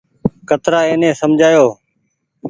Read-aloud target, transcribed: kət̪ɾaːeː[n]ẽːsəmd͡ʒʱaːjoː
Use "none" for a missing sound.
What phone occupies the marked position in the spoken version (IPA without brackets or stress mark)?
n